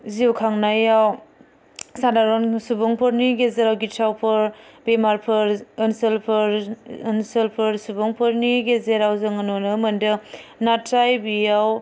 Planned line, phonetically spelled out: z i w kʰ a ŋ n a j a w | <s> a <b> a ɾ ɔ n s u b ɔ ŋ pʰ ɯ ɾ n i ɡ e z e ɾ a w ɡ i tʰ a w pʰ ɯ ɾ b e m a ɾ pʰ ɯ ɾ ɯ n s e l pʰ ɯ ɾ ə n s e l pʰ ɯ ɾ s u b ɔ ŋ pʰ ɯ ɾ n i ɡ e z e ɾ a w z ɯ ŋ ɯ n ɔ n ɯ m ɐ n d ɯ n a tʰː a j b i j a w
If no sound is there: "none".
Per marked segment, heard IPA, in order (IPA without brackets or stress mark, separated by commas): s, d